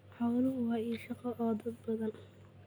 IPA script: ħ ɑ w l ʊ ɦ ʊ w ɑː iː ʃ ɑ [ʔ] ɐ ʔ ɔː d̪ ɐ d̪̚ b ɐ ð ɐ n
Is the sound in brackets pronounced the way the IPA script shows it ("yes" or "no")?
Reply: no